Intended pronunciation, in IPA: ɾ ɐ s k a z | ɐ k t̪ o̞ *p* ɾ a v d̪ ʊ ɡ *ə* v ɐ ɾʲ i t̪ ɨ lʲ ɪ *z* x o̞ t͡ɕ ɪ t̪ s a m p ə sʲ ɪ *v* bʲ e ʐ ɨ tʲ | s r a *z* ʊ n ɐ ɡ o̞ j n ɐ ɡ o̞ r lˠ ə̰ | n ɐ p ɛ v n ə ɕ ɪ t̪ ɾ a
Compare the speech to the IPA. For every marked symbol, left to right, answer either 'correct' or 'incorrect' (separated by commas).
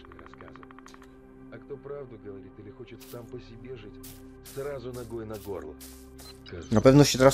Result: correct, correct, incorrect, incorrect, correct